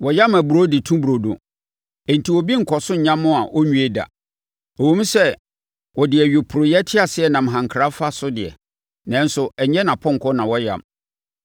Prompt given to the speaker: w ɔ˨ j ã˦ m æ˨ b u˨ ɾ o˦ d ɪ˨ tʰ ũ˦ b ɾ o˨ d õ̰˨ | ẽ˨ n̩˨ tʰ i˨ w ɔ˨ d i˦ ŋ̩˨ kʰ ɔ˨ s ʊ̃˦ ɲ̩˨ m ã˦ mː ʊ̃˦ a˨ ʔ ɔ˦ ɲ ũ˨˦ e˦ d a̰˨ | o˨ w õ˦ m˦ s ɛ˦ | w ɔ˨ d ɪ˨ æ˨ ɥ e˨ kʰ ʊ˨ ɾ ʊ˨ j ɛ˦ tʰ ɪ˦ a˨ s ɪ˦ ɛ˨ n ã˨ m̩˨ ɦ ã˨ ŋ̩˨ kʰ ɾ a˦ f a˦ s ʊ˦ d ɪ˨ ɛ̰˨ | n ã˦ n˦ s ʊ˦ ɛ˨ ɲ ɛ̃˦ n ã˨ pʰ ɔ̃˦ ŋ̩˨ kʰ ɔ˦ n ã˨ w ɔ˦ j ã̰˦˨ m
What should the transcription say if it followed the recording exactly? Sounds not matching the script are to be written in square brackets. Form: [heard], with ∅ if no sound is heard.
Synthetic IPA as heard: w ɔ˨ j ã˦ m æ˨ b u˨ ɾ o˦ d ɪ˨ tʰ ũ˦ b ɾ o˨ d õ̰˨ | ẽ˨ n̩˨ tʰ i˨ w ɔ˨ [b] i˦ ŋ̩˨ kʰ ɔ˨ s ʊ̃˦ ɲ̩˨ [ɲ] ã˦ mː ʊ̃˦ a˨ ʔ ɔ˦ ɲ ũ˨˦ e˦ d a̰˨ | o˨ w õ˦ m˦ s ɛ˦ | w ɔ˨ d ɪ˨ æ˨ ɥ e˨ [pʰ] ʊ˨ ɾ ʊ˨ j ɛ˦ tʰ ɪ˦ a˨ s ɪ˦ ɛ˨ n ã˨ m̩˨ ɦ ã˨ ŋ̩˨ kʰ ɾ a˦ f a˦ s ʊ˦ d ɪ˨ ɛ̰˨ | n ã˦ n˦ s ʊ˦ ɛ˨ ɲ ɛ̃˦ n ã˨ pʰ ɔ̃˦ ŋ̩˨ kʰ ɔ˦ n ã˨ w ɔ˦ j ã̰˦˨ m